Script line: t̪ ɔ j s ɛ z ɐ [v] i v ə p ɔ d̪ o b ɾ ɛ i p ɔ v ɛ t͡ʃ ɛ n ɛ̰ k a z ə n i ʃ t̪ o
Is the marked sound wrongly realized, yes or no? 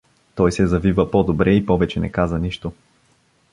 no